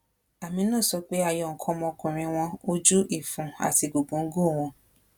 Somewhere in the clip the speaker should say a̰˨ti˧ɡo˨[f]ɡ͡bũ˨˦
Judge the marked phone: incorrect: none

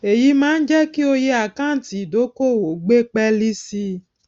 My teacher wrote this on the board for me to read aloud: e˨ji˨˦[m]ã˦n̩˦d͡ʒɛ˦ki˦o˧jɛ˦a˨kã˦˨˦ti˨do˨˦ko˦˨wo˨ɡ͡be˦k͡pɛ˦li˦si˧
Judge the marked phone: correct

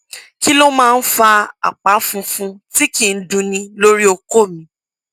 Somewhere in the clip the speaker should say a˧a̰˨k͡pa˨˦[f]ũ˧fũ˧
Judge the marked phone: correct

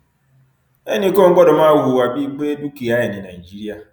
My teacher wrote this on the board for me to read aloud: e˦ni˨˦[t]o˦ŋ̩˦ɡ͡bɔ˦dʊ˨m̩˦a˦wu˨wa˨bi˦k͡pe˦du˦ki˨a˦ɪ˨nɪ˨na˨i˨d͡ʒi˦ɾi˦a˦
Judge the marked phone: incorrect: k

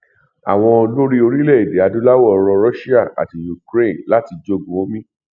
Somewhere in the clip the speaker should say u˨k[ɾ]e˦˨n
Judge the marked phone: correct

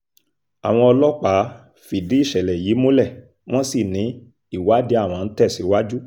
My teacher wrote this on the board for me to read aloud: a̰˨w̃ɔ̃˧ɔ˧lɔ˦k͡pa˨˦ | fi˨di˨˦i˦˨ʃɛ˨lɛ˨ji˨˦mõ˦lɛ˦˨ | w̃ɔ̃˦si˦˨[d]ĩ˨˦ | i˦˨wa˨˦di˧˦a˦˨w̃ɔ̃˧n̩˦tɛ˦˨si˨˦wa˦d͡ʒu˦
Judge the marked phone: incorrect: n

